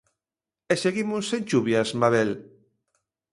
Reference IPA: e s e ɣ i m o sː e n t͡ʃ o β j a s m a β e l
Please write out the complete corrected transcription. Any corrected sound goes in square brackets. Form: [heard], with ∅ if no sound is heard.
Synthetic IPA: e s e ɣ i m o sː e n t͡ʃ [u] β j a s m a β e l